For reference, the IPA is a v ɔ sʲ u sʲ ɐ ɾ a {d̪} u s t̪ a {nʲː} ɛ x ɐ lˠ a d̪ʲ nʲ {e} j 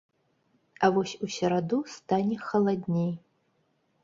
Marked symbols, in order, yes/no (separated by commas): yes, no, yes